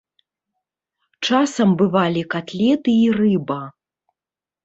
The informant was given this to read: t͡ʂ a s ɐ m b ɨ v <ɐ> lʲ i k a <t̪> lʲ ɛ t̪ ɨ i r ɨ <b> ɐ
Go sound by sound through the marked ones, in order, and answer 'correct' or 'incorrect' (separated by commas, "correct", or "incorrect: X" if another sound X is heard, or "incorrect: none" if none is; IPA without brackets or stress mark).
incorrect: a, correct, correct